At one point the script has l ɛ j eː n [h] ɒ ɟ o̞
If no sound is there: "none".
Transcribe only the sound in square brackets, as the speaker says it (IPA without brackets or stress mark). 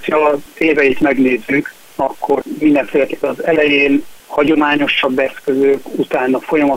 h